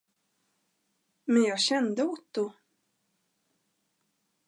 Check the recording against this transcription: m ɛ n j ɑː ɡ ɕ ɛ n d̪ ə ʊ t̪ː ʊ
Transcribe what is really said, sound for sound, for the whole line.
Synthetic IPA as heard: m ɛ n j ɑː ɡ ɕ ɛ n d̪ ə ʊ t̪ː ʊ